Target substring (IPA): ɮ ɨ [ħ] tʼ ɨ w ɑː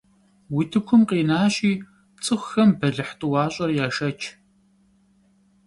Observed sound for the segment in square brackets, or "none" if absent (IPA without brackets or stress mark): ħ